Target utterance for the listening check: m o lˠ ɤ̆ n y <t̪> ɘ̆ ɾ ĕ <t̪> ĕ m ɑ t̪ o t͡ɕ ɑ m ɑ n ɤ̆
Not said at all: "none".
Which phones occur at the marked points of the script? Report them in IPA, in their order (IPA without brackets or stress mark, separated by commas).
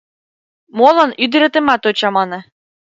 d̪, t̪